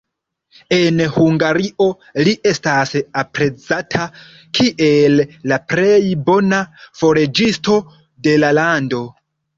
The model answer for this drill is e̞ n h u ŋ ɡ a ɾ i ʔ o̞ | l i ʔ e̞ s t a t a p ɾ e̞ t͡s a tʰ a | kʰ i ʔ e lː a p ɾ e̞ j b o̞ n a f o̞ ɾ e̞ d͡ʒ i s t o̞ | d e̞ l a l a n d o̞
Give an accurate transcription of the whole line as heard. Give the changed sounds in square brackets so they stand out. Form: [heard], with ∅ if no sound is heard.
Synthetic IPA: e̞ n h u ŋ ɡ a ɾ i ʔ o̞ | l i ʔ e̞ s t a [s] a p ɾ e̞ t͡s a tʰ a | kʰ i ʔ e lː a p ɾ e̞ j b o̞ n a f o̞ ɾ e̞ d͡ʒ i s t o̞ | d e̞ l a l a n d o̞

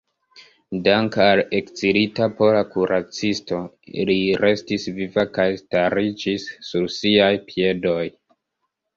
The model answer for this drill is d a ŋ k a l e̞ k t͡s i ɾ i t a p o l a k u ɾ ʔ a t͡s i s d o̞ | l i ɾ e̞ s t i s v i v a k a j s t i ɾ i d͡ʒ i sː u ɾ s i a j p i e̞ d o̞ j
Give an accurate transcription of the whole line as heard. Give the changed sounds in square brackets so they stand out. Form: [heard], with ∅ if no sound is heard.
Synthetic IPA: d a ŋ k a l e̞ k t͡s i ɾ i t a p o l a k u ɾ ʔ a t͡s i s [t] o̞ | l i ɾ e̞ s t i s v i v a k a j s t [a] ɾ i d͡ʒ i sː u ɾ s i a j p i e̞ d o̞ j

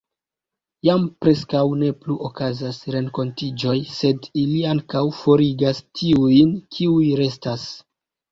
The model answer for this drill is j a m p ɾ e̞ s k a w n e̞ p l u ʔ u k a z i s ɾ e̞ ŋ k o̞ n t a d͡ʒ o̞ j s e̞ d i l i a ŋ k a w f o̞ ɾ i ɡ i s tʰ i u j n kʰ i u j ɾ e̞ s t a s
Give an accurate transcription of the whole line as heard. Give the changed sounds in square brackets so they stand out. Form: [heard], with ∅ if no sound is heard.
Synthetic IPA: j a m p ɾ e̞ s k a w n e̞ p l u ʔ [o] k a z [a] s ɾ e̞ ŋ k o̞ n t [i] d͡ʒ o̞ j s e̞ d i l i a ŋ k a w f o̞ ɾ i ɡ [a] s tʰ i u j n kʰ i u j ɾ e̞ s t a s

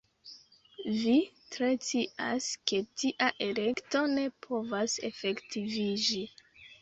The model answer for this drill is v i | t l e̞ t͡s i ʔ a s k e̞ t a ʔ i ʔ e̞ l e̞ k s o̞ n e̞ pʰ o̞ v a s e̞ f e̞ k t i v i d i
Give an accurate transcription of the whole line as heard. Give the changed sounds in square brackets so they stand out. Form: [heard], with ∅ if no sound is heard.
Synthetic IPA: v i | t [ɾ] e̞ t͡s i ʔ a s k e̞ t [i] ʔ [a] ʔ e̞ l e̞ k [t] o̞ n e̞ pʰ o̞ v a s e̞ f e̞ k t i v i [d͡ʒ] i

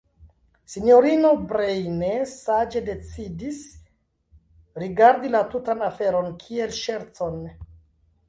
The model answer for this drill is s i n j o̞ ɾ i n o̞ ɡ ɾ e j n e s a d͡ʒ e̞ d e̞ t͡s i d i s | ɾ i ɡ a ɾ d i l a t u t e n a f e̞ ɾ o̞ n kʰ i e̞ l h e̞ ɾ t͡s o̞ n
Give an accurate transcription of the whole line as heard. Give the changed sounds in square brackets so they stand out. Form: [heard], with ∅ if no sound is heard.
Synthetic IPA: s i n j o̞ ɾ i n o̞ [b] ɾ e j n e s a d͡ʒ e̞ d e̞ t͡s i d i s | ɾ i ɡ a ɾ d i l a t u t [a] n a f e̞ ɾ o̞ n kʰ i e̞ l [ʃ] e̞ ɾ t͡s o̞ n

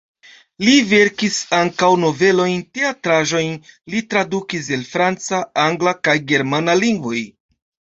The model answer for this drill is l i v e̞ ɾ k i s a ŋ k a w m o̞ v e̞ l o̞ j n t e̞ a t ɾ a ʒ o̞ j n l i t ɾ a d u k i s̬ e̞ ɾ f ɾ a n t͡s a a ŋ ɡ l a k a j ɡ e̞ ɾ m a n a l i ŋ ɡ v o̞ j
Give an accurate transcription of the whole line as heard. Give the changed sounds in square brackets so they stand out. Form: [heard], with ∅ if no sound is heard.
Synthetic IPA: l i v e̞ ɾ k i s a ŋ k a w [n] o̞ v e̞ l o̞ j n t e̞ a t ɾ a ʒ o̞ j n l i t ɾ a d u k i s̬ e̞ [l] f ɾ a n t͡s a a ŋ ɡ l a k a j ɡ e̞ ɾ m a n a l i ŋ ɡ v o̞ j

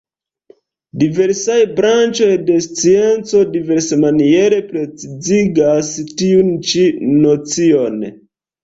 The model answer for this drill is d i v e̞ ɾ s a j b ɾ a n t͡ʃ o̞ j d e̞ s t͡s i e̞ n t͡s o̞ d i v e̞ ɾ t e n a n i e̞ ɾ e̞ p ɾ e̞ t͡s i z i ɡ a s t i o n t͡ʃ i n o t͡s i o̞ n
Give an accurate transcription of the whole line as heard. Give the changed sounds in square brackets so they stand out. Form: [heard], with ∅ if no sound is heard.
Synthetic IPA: d i v e̞ ɾ s a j b ɾ a n t͡ʃ o̞ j d e̞ s t͡s i e̞ n t͡s o̞ d i v e̞ ɾ [s] e [m] a n i e̞ ɾ e̞ p ɾ e̞ t͡s i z i ɡ a s t i [u] n t͡ʃ i n o t͡s i o̞ n

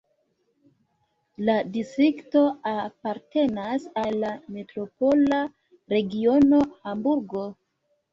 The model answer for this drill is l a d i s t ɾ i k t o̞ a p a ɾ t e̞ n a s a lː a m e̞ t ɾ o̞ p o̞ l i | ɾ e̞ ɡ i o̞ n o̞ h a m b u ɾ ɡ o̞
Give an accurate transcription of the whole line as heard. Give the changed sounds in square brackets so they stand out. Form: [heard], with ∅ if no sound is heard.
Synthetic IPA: l a d i s t ɾ i k t o̞ a p a ɾ t e̞ n a s a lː a m e̞ t ɾ o̞ p o̞ l [a] | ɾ e̞ ɡ i o̞ n o̞ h a m b u ɾ ɡ o̞

